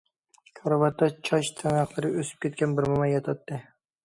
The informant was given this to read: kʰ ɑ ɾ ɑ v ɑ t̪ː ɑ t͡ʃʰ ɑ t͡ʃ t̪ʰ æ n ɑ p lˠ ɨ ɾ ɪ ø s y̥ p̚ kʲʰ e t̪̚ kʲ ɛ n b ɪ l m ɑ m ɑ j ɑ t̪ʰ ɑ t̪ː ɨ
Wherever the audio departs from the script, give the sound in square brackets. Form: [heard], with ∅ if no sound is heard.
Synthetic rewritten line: kʰ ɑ ɾ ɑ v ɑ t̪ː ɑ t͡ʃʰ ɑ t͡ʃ t̪ʰ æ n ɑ [q] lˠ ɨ ɾ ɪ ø s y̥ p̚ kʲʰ e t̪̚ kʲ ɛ n b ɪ [ɾ] m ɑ m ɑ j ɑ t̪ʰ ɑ t̪ː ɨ